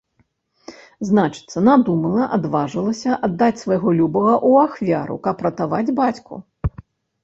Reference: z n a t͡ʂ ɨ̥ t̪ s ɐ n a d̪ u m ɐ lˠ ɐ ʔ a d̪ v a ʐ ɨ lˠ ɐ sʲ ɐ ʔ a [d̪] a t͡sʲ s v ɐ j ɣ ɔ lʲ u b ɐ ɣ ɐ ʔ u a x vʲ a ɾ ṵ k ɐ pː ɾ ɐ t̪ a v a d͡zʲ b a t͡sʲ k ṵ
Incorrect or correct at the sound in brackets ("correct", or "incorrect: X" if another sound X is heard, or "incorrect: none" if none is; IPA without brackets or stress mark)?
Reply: incorrect: d̪ː